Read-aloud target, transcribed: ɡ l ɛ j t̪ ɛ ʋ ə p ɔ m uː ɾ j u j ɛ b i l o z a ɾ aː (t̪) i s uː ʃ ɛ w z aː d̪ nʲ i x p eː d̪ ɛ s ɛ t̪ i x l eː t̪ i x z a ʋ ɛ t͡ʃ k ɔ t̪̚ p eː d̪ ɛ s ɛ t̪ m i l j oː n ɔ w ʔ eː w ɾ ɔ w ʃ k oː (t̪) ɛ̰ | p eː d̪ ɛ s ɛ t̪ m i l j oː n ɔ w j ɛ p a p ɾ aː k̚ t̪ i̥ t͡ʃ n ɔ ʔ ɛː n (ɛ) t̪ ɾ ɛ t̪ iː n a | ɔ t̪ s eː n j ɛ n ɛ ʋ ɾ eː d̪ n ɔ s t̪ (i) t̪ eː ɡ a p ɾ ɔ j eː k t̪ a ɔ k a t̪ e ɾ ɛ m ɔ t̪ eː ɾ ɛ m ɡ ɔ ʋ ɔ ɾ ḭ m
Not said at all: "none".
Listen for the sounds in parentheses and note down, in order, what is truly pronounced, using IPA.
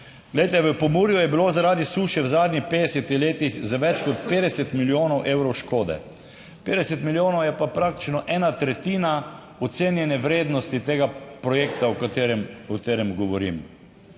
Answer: d̪, d̪, a, i

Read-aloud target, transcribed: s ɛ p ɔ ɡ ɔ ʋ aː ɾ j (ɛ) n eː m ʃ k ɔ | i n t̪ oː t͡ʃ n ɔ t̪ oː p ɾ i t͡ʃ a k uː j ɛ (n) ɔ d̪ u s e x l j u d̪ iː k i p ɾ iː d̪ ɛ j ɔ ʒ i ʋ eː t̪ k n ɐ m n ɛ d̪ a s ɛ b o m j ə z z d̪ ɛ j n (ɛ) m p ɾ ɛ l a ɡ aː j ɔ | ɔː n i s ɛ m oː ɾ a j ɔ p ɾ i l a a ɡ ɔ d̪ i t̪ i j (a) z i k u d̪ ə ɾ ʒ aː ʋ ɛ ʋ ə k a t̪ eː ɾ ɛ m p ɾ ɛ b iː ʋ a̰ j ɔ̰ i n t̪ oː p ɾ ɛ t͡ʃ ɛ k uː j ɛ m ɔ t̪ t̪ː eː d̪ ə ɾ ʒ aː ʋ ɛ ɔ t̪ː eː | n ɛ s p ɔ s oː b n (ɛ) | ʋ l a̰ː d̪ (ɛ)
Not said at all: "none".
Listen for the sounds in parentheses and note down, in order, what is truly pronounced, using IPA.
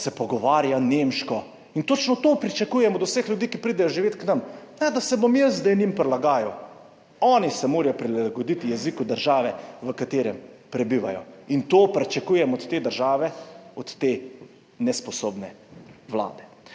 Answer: a, m, i, ɛ, ɛ, ɛ

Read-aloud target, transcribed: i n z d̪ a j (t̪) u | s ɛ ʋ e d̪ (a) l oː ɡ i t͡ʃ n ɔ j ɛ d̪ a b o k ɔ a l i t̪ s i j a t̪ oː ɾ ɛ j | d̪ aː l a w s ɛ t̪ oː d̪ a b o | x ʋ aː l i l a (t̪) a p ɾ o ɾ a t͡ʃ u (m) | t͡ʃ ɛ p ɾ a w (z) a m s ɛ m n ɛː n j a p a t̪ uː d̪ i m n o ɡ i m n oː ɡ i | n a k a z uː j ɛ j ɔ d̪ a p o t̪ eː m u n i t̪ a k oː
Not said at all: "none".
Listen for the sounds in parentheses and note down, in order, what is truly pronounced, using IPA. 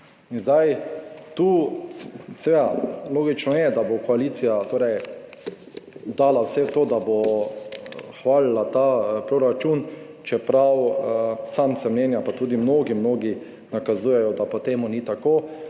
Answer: t̪, a, t̪, n, s

